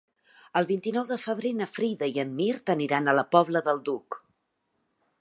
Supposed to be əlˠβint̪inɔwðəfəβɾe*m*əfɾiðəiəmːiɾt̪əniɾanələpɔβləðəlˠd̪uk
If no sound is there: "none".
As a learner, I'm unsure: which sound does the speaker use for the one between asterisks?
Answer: n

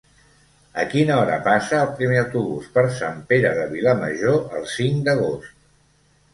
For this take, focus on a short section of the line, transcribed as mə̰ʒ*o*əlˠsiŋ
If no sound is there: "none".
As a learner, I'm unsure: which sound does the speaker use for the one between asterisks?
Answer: o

